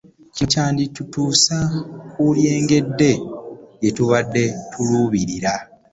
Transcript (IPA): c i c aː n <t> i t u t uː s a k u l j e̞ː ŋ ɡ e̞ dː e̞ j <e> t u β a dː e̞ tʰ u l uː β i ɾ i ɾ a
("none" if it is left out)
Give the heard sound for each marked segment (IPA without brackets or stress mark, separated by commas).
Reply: d, e